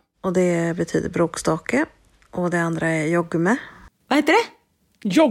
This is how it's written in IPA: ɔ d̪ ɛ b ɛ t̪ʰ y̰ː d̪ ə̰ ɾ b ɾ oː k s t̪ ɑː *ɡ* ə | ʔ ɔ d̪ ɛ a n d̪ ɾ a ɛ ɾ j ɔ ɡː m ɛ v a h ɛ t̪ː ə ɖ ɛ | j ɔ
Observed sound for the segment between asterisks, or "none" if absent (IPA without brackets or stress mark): k